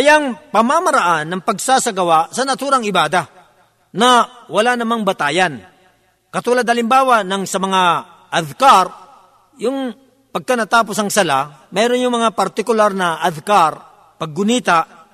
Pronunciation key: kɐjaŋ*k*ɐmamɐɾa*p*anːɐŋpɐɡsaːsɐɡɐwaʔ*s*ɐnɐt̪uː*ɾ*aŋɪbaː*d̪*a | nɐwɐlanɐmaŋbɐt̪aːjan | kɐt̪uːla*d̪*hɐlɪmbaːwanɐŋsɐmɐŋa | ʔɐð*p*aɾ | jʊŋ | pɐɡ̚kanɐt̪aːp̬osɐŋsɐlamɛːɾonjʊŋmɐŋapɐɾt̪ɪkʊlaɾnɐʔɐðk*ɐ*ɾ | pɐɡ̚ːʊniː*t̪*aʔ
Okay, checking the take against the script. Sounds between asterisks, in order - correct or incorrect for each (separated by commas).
incorrect, incorrect, correct, correct, correct, correct, incorrect, incorrect, correct